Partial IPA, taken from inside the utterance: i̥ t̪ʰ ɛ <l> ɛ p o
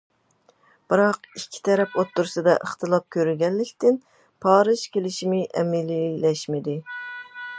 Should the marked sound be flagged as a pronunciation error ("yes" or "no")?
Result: yes